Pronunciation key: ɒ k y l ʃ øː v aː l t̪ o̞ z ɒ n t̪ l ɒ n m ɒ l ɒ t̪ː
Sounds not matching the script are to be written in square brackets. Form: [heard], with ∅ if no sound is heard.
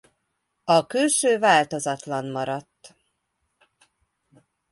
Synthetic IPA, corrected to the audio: ɒ k y l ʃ øː v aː l t̪ o̞ z ɒ [∅] t̪ l ɒ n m ɒ [ɾ] ɒ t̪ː